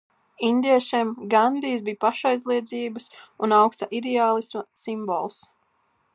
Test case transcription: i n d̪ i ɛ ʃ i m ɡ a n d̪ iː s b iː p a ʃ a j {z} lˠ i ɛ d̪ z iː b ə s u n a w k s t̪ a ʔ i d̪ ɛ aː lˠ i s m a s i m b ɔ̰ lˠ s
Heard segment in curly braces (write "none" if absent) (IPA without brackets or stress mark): z